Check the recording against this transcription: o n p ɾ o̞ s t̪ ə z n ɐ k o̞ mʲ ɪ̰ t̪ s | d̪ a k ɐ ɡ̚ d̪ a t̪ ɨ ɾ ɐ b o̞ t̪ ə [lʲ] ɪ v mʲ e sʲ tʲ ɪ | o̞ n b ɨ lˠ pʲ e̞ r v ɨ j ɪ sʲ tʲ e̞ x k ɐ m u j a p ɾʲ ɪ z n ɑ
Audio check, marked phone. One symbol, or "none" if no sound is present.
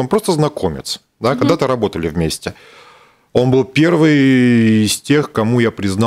lʲ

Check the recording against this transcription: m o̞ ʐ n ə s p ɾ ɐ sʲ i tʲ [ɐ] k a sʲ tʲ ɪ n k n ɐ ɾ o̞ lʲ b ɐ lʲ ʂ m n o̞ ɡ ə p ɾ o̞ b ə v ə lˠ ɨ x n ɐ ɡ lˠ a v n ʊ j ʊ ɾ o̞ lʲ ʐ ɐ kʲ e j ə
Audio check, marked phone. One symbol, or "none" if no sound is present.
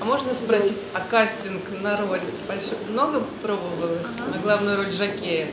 ɐ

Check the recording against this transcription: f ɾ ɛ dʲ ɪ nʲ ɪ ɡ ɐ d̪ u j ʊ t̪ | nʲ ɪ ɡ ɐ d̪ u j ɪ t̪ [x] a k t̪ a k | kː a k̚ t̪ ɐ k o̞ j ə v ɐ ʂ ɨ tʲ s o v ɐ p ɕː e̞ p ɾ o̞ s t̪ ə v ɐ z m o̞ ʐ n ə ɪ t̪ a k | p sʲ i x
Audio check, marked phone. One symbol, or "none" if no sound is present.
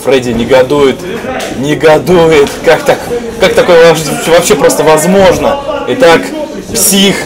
k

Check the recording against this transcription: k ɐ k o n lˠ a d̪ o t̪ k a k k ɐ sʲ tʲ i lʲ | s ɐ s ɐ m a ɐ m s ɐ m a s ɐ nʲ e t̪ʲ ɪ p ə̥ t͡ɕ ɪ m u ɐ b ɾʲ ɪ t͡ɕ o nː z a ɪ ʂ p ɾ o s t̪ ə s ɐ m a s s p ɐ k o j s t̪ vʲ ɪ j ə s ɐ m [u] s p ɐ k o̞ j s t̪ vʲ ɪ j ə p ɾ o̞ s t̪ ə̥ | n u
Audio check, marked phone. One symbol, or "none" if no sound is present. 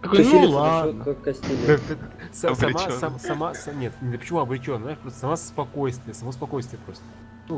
o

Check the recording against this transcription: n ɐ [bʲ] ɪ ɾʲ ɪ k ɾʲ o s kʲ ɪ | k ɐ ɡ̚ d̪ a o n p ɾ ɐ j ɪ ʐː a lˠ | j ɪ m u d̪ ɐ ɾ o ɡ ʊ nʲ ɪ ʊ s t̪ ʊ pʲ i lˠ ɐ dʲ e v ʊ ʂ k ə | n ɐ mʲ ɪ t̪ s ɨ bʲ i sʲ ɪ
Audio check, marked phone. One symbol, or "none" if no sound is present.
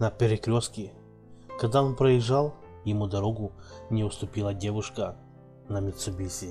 pʲ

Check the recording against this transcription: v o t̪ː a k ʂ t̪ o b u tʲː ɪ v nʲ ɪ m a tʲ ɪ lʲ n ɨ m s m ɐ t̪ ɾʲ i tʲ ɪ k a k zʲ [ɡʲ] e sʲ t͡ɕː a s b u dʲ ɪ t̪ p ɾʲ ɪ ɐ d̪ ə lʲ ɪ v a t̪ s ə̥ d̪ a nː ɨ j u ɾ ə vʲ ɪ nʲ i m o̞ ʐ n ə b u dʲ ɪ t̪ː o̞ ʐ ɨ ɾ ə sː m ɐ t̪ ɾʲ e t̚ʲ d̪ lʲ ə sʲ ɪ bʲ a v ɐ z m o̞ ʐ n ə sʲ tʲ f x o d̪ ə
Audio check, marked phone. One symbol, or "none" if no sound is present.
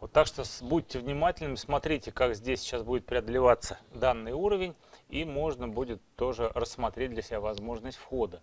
dʲ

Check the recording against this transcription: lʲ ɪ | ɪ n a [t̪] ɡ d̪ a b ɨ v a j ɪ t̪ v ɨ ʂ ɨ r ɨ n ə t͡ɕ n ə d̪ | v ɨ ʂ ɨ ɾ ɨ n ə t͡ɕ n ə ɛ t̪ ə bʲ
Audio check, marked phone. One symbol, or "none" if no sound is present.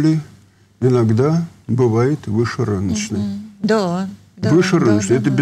none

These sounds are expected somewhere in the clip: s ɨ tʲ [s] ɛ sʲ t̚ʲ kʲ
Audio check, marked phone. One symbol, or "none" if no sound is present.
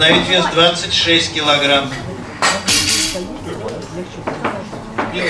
ʂ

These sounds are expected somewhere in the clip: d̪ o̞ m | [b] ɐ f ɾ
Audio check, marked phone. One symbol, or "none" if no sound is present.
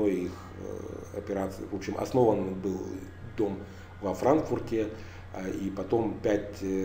v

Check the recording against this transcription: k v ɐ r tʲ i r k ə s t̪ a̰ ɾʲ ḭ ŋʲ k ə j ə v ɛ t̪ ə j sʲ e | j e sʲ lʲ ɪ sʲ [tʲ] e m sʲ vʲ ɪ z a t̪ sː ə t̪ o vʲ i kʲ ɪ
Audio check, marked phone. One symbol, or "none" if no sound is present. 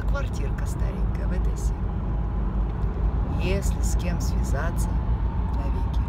kʲ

